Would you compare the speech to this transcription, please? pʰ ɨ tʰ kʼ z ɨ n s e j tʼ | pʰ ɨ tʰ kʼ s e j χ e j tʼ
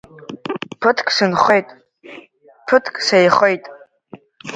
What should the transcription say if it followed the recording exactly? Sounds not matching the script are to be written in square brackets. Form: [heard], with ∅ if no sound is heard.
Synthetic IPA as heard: pʰ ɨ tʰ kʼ [s] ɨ n [χ] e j tʼ | pʰ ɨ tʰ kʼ s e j χ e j tʼ